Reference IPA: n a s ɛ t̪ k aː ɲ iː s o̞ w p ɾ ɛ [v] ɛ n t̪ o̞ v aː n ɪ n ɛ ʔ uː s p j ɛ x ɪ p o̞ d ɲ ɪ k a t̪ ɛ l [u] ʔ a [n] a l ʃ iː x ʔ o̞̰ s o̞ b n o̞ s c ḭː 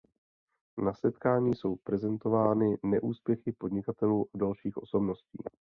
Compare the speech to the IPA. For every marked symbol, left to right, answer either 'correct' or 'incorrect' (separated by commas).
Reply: incorrect, incorrect, incorrect